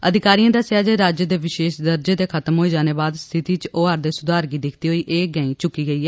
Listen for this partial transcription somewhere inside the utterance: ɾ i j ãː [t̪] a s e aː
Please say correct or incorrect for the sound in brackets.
incorrect